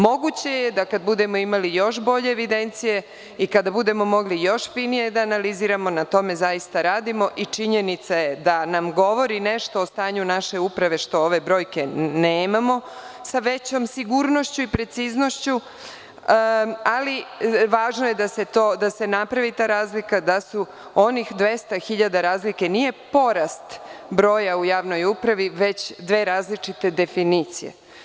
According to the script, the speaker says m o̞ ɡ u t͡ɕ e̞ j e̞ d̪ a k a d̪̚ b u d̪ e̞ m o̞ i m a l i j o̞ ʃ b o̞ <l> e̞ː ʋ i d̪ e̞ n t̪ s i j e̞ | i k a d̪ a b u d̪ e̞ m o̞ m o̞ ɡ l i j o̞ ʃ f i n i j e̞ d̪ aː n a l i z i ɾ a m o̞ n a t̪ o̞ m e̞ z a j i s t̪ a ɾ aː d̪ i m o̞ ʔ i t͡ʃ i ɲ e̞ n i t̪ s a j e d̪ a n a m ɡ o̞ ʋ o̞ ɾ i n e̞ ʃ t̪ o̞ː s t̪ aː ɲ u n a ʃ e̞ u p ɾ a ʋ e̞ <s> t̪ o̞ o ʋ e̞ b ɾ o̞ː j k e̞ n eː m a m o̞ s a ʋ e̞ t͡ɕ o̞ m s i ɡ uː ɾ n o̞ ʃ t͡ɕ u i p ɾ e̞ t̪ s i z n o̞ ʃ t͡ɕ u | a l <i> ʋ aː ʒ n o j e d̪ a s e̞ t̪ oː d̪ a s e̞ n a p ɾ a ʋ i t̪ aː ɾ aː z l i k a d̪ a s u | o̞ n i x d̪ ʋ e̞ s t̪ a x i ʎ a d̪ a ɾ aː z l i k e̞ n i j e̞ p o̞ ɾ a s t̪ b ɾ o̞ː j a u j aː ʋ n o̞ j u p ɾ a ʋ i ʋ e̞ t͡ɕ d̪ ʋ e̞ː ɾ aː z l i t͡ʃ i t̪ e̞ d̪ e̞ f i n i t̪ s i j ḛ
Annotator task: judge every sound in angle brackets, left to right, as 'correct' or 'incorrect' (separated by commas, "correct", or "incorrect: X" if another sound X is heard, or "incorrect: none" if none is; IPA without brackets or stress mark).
incorrect: ʎ, incorrect: ʃ, correct